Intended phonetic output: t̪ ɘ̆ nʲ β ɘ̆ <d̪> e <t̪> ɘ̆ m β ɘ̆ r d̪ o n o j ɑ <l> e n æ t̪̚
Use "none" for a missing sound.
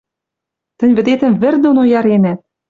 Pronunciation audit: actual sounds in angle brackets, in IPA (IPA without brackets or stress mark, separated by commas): d̪, t̪, ɾ